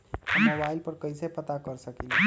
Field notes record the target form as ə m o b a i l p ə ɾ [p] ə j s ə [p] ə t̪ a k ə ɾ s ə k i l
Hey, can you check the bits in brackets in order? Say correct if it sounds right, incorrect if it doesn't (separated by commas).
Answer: incorrect, correct